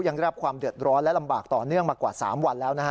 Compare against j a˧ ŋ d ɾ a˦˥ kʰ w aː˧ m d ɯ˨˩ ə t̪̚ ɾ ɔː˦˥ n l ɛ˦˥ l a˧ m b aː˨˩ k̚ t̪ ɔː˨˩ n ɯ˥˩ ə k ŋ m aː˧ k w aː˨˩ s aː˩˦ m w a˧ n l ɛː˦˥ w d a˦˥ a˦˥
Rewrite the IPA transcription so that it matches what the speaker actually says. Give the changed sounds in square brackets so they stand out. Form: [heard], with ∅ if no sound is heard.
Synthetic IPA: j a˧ ŋ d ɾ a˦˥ kʰ w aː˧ m d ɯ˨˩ ə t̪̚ ɾ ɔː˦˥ n l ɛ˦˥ l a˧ m b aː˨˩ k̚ t̪ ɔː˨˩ n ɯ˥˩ ə [∅] ŋ m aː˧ k w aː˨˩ s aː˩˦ m w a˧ n l ɛː˦˥ w [n] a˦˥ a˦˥